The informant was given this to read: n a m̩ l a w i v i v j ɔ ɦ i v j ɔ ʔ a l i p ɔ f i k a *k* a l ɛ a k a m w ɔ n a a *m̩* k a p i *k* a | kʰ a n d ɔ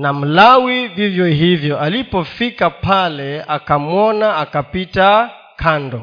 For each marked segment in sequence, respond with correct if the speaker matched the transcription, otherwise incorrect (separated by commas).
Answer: incorrect, incorrect, incorrect